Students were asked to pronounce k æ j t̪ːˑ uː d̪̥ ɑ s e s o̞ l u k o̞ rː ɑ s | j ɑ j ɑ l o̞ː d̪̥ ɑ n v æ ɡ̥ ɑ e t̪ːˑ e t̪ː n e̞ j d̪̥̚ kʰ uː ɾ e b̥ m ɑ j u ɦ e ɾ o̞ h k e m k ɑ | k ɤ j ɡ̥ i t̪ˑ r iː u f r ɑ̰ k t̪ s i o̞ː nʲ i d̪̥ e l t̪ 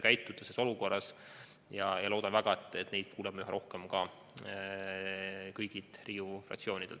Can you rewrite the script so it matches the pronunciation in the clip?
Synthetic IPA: k æ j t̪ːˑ u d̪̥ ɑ s e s o̞ l u k o̞ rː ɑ s | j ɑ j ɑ l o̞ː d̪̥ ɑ n v æ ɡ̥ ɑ e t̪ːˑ e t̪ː n e̞ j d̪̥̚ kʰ uː l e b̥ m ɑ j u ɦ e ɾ o̞ h k e m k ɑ | k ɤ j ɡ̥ i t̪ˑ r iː u f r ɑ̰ k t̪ s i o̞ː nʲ i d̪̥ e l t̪